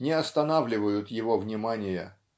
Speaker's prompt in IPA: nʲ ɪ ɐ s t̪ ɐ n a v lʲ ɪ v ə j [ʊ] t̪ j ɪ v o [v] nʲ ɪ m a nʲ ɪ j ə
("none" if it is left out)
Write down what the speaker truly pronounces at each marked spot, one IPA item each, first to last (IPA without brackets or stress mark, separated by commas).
ʊ, v